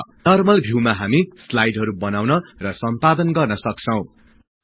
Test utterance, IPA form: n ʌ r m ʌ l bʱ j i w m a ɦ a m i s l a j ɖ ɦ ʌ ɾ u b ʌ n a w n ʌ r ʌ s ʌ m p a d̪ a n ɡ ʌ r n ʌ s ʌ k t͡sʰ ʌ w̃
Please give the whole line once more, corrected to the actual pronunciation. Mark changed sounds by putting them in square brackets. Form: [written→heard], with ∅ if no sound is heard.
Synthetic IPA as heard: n ʌ r m ʌ l bʱ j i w m a ɦ a m i s l a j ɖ ɦ ʌ ɾ u b ʌ n a w n ʌ r ʌ s ʌ m p a d̪ [a→ʌ] n ɡ ʌ r n ʌ s ʌ k t͡sʰ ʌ w̃